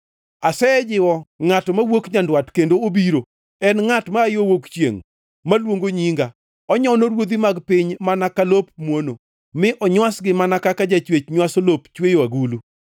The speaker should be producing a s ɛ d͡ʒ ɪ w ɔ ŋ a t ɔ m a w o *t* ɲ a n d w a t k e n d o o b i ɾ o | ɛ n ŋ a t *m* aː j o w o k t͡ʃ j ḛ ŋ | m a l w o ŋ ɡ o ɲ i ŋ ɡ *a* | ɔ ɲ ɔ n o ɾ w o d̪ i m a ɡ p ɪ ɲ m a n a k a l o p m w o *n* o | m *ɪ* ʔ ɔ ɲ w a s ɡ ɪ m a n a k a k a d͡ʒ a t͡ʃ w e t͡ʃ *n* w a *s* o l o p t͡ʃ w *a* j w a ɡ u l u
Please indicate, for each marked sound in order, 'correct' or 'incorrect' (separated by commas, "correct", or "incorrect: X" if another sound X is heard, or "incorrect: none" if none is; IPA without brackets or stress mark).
incorrect: k, correct, correct, correct, correct, incorrect: ɲ, correct, incorrect: e